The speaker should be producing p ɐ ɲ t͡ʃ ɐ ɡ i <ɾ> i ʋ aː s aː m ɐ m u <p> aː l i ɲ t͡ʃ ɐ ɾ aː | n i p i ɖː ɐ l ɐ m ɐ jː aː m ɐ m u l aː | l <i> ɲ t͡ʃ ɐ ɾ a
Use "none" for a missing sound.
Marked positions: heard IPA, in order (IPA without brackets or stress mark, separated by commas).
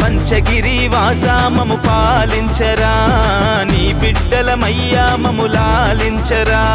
ɾ, p, i